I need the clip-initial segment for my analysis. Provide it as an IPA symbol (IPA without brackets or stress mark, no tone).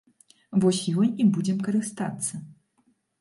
v